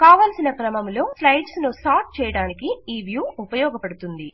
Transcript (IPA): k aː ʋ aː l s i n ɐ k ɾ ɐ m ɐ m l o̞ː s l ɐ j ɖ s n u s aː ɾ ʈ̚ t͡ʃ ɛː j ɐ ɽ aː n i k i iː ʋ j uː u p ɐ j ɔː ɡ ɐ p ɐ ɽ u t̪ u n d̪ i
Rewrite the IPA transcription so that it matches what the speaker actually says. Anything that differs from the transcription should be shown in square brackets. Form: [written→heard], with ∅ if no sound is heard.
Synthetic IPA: k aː ʋ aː l s i n ɐ k ɾ ɐ m ɐ m l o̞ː s l ɐ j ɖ s n u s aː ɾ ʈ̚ t͡ʃ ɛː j ɐ ɽ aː n i k i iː ʋ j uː u p ɐ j ɔː ɡ ɐ p ɐ ɽ u t̪ u n d̪ i